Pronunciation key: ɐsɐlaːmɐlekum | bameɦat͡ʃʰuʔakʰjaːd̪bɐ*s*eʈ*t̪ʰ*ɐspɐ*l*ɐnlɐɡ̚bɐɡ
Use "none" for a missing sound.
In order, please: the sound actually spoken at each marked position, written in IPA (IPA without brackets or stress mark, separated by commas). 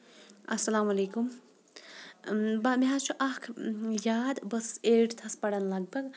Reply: s, t̪ʰ, ɽ